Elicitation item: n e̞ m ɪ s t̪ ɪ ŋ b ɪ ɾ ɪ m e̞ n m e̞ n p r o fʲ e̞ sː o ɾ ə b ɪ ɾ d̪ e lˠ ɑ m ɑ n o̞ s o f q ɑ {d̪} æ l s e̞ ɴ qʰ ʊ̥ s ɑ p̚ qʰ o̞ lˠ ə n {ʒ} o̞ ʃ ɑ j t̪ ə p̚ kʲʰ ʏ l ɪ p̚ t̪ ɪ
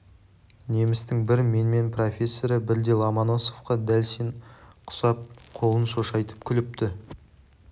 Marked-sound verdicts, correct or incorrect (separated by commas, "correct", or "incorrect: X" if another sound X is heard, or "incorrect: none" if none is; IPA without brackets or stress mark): correct, incorrect: ʃ